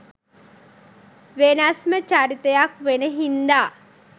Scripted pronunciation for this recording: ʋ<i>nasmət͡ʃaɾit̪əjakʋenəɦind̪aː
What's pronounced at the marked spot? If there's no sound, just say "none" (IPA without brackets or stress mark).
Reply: e